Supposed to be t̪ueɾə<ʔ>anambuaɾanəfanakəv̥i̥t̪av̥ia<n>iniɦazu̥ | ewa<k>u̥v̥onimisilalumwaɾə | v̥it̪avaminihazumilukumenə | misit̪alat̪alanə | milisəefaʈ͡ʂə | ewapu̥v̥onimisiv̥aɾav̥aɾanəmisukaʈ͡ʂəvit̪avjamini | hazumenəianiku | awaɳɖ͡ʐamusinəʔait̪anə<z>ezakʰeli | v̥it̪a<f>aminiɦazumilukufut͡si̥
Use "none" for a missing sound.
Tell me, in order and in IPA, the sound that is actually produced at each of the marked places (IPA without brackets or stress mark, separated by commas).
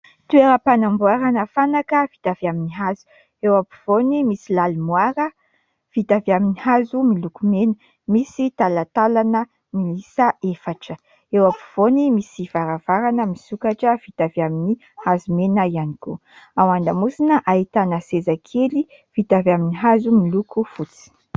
p, m, p, s, v